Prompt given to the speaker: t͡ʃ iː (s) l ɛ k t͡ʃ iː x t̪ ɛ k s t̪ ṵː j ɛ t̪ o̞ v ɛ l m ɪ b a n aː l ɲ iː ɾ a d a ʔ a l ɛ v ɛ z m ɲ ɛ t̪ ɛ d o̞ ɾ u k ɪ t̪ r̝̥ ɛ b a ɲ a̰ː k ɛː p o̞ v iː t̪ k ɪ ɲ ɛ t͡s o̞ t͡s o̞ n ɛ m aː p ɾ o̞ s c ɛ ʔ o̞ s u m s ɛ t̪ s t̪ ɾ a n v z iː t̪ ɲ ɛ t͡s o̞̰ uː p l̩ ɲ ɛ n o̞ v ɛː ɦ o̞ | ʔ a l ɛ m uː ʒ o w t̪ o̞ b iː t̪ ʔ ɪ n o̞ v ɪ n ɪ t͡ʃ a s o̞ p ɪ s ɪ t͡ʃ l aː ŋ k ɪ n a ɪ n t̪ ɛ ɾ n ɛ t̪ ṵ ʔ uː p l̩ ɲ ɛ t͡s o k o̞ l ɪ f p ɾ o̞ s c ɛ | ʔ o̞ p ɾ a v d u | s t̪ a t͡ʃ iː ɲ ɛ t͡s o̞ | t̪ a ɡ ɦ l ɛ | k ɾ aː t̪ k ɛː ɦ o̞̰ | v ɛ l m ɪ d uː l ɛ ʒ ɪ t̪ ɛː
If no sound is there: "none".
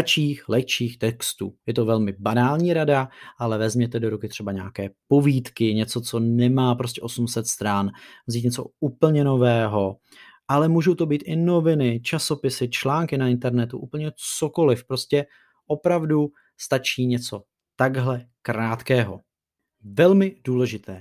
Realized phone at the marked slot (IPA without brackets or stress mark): x